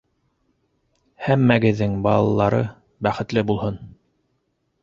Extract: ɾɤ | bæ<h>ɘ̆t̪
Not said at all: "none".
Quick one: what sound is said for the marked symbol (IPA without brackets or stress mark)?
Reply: χ